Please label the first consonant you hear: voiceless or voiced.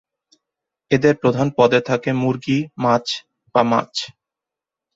voiced